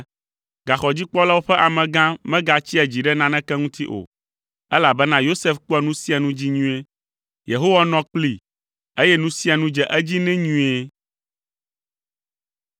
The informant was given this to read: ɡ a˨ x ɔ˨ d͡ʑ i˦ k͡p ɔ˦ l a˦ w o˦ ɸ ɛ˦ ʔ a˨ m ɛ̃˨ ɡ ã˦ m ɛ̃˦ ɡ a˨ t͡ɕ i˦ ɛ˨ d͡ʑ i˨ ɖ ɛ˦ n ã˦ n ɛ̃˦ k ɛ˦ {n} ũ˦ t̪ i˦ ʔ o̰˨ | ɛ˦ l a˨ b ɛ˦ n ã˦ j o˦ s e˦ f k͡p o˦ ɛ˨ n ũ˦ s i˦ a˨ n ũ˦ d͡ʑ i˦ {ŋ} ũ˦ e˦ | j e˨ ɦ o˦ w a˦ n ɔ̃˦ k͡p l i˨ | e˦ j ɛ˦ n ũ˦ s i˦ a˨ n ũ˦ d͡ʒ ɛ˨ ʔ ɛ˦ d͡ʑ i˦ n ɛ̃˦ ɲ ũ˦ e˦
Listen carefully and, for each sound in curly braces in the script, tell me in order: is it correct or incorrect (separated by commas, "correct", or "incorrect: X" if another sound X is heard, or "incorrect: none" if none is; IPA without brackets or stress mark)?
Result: incorrect: ŋ, incorrect: ɲ